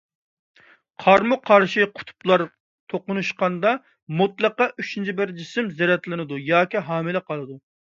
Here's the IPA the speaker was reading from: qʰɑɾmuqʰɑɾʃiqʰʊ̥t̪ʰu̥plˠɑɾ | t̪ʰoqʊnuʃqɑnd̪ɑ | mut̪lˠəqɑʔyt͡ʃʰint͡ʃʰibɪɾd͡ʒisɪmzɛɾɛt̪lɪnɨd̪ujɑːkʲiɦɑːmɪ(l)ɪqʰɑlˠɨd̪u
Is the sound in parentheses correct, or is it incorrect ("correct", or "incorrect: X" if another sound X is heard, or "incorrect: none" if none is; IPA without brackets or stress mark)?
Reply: correct